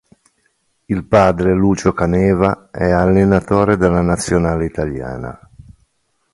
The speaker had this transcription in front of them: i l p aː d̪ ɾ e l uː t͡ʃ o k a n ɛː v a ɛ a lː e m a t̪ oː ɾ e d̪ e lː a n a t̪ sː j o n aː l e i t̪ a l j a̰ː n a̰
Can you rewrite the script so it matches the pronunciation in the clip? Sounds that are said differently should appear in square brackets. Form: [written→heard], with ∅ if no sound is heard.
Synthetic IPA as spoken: i l p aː d̪ ɾ e l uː t͡ʃ o k a n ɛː v a ɛ a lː e [m→n] a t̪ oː ɾ e d̪ e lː a n a t̪ sː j o n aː l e i t̪ a l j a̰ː n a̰